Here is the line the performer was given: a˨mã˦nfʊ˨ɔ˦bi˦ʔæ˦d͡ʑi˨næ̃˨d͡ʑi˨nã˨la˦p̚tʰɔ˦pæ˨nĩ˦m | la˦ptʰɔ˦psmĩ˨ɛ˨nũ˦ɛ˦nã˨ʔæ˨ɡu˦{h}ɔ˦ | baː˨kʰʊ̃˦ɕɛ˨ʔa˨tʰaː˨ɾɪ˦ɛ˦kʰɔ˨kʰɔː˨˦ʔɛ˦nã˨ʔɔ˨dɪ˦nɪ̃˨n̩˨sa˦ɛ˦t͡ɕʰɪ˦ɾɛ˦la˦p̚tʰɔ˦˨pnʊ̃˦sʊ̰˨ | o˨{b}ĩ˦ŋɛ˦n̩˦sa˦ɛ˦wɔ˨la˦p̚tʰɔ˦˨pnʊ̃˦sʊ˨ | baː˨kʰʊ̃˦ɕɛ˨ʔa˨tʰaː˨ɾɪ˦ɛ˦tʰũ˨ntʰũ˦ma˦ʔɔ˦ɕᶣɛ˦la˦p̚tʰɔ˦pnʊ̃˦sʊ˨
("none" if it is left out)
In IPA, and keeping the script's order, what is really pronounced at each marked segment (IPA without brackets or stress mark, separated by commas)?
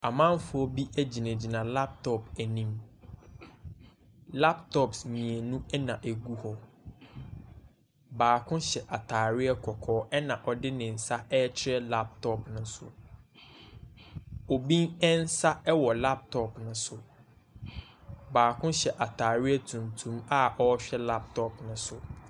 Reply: h, b